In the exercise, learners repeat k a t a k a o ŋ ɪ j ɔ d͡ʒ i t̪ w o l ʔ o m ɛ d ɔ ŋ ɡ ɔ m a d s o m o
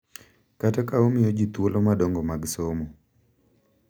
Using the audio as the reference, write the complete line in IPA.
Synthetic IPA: k a t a k a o m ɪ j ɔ d͡ʒ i t̪ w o l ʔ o m a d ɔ ŋ ɡ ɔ m a ɡ s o m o